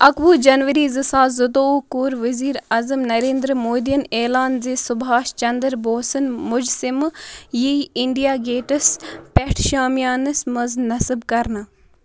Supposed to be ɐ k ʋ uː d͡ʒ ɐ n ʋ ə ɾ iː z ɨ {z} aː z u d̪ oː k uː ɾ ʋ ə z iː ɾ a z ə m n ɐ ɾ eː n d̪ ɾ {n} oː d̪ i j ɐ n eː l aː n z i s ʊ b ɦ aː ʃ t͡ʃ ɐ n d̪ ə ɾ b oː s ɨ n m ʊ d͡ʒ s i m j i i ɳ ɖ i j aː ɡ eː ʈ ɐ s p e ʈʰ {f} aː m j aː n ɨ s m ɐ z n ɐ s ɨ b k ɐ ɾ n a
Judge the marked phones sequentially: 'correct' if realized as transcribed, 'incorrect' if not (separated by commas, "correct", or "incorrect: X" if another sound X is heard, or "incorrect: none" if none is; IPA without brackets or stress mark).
incorrect: s, incorrect: m, incorrect: ʃ